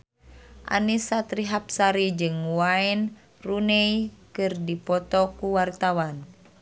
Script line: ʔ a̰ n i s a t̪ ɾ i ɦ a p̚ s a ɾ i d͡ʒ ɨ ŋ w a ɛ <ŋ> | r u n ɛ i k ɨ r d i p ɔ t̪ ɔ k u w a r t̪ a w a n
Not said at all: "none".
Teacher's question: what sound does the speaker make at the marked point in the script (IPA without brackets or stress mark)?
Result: n